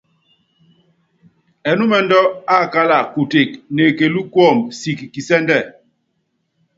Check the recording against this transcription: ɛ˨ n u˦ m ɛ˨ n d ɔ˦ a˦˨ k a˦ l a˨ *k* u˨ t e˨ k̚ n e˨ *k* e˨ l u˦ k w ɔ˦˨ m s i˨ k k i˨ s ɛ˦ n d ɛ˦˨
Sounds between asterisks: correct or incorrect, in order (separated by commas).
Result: correct, correct